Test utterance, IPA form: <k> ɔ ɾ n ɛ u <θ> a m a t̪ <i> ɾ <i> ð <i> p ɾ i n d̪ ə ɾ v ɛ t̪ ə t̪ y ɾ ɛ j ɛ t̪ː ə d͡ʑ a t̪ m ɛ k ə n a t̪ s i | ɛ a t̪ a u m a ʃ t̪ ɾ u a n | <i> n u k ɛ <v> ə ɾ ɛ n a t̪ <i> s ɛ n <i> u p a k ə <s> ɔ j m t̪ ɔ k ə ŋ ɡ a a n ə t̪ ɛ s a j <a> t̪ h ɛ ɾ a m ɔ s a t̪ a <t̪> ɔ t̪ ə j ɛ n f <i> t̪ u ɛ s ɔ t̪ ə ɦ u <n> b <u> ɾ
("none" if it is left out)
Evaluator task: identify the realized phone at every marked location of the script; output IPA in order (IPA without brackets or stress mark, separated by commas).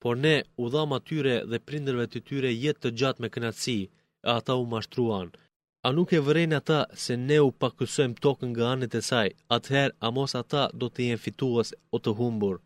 p, ð, y, ɛ, ɛ, a, v, a, ɛ, s, a, d̪, i, m, u